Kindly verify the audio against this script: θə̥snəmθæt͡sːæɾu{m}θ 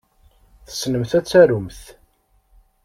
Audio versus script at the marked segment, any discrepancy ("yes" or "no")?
no